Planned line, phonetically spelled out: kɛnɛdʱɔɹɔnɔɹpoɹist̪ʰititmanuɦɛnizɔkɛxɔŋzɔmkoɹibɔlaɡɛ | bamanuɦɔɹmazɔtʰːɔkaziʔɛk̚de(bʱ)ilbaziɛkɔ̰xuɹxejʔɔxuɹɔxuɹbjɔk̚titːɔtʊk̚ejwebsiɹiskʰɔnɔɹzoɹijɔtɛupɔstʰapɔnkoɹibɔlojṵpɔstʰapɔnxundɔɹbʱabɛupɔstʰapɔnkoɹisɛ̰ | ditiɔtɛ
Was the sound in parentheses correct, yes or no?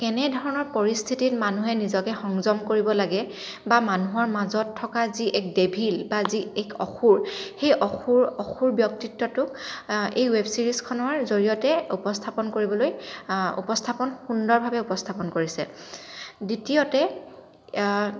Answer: yes